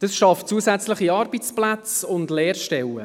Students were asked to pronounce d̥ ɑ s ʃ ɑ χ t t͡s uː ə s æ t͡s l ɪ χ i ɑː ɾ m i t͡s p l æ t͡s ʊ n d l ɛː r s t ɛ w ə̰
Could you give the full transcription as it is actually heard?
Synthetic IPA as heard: d̥ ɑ s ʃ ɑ f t t͡s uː ə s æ t͡s l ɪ χ i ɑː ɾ b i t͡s p l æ t͡s ʊ n d l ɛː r ʃ t ɛ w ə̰